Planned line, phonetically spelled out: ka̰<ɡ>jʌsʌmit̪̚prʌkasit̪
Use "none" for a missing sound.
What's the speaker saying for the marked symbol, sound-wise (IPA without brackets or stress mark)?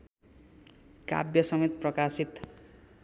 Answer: b